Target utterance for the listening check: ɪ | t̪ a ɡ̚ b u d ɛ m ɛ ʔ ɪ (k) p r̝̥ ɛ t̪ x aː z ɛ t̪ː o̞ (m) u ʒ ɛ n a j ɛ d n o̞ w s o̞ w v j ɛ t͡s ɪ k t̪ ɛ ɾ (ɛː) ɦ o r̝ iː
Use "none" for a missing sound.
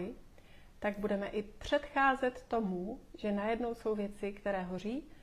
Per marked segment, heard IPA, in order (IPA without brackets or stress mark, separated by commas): none, m, ɛː